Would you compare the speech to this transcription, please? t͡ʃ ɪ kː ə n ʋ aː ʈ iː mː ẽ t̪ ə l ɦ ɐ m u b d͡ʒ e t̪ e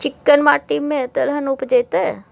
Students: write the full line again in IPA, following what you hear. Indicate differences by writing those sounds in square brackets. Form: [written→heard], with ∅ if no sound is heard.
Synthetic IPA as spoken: t͡ʃ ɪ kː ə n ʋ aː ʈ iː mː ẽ t̪ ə l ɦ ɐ [m→n] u [b→p] d͡ʒ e t̪ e